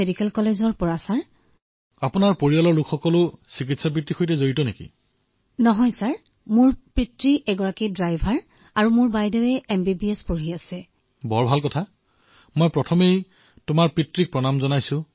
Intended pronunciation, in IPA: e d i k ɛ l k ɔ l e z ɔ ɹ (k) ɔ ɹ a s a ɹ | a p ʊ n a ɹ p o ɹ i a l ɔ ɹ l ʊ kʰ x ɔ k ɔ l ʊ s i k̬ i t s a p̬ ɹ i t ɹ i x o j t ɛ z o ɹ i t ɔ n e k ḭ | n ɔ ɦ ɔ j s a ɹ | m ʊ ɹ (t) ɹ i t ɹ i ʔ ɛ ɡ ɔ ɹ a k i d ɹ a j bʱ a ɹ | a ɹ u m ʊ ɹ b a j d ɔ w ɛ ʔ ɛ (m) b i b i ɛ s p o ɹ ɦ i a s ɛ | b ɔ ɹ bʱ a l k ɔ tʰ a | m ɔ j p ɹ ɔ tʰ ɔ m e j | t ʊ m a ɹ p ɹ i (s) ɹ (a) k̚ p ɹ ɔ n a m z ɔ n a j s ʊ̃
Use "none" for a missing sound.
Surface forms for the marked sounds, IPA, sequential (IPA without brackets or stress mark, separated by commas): p, p, m, t, i